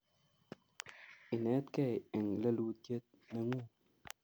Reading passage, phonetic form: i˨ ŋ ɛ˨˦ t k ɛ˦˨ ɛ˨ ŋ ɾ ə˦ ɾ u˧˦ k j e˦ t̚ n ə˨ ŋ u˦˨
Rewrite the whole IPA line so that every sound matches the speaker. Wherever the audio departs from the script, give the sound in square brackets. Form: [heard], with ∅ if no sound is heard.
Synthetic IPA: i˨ [n] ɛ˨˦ t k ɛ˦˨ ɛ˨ ŋ [l] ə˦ [l] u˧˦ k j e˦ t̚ n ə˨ ŋ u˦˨